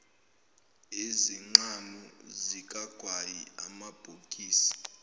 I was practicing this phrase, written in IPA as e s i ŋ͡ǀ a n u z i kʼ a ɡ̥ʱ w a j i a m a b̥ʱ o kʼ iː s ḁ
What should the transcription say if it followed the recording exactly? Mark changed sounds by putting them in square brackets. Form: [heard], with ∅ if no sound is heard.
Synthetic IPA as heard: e [z] i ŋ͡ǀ a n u z i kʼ a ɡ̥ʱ w a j i a m a b̥ʱ o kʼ iː s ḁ